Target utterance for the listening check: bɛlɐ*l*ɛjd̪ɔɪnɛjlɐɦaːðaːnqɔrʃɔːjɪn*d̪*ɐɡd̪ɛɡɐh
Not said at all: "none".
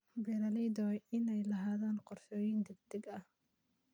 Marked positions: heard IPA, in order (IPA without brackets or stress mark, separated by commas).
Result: l, d̪